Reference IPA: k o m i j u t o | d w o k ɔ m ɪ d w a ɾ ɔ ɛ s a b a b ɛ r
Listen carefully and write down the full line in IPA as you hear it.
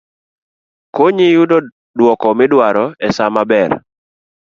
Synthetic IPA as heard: k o ɲ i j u d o | d w ɔ k ɔ m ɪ d w a ɾ ɔ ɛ s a m a b ɛ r